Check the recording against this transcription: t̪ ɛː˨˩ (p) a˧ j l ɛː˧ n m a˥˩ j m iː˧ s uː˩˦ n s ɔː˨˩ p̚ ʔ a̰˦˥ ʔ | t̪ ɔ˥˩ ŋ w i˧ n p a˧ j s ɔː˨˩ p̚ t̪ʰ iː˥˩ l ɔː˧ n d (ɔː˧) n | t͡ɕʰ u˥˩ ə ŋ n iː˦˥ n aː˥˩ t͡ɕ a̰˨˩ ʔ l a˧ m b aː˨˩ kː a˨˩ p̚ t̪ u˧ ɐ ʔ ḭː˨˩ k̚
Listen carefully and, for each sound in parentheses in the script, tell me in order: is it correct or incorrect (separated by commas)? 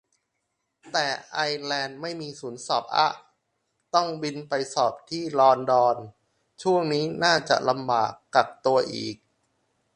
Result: incorrect, correct